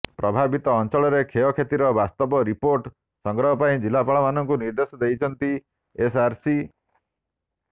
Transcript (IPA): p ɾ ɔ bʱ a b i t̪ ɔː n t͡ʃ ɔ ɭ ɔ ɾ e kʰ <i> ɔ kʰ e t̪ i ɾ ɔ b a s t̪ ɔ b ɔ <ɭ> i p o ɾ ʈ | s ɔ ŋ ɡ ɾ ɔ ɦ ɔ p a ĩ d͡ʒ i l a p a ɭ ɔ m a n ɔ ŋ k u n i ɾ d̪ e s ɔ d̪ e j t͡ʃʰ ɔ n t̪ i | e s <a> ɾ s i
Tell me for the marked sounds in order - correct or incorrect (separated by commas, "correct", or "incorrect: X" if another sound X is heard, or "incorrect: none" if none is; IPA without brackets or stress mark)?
incorrect: e, incorrect: ɾ, correct